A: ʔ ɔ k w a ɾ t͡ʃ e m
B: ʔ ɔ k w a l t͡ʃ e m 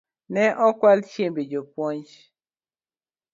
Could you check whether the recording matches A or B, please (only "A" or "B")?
B